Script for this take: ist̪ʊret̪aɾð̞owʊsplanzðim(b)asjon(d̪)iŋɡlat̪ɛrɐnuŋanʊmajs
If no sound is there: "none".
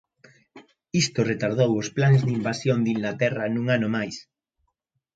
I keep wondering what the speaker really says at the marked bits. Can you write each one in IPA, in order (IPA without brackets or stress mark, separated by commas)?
b, d̪